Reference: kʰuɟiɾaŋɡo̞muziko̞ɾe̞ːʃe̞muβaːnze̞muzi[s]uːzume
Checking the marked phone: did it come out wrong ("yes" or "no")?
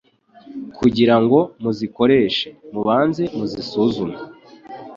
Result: no